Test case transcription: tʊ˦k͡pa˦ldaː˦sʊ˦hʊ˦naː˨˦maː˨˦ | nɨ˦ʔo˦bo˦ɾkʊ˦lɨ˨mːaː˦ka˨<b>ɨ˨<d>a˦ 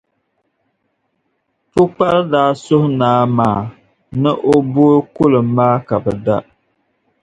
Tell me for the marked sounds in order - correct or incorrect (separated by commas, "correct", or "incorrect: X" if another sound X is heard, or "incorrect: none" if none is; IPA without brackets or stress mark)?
correct, correct